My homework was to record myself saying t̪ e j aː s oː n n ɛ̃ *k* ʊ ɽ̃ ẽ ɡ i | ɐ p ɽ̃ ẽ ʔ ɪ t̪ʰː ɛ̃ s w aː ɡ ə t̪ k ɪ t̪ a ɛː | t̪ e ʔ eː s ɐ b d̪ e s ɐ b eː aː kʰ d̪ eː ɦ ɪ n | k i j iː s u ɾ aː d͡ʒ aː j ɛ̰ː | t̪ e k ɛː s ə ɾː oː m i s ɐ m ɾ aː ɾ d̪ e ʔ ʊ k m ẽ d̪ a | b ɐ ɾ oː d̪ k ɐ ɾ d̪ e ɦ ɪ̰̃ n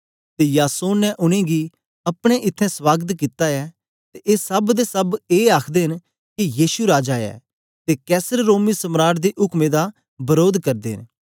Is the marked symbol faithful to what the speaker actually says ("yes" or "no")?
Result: no